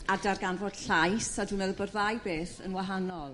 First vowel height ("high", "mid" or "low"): low